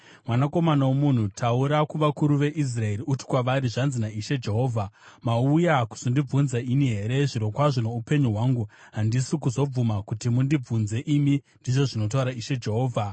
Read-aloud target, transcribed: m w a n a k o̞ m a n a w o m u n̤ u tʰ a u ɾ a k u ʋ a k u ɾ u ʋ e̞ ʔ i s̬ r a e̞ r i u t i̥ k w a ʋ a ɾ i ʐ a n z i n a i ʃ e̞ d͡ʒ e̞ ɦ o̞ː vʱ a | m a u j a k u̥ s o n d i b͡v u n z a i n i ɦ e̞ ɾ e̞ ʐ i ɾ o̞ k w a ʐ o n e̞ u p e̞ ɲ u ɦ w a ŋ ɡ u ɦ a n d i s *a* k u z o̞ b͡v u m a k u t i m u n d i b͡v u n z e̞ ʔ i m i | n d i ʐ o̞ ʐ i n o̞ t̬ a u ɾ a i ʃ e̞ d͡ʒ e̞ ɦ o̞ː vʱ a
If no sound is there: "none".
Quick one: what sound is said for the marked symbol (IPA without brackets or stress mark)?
i